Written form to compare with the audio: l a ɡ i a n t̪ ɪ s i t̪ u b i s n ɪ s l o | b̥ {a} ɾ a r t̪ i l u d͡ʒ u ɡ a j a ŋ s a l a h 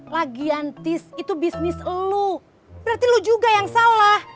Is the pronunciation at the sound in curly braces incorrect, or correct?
incorrect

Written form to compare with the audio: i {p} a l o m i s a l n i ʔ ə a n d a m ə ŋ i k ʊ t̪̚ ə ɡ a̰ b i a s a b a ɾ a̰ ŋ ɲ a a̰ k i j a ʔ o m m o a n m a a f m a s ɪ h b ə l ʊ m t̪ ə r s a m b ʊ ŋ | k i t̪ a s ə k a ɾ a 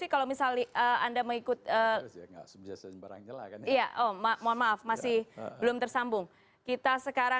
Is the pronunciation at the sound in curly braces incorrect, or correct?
incorrect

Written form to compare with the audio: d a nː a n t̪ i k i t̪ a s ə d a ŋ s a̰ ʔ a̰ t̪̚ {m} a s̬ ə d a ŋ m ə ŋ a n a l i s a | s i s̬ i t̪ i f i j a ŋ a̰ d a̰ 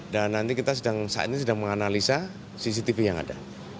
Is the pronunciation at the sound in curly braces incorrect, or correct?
incorrect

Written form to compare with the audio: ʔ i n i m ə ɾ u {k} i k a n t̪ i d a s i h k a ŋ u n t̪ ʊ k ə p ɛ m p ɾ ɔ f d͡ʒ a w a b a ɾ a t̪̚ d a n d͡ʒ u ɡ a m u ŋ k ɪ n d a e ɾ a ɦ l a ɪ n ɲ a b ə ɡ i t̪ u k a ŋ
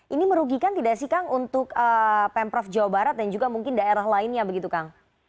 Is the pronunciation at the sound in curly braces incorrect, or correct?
incorrect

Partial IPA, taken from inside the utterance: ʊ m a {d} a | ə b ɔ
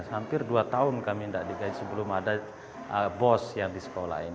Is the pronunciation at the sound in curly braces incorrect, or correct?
correct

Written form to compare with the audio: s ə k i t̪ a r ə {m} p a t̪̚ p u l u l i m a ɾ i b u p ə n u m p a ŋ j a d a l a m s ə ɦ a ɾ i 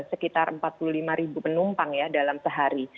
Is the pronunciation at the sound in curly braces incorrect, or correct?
correct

